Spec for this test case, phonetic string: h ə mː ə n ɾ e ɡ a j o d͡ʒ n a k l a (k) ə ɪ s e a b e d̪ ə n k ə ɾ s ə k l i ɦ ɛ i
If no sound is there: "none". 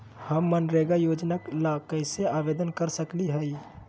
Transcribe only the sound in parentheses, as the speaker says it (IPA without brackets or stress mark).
k